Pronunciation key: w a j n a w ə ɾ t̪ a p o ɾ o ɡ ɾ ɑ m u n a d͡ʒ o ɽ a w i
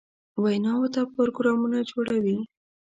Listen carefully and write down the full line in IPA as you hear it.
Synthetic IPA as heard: w a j n ɑ w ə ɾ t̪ a p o ɾ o ɡ ɾ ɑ m u n a d͡ʒ o ɽ a w i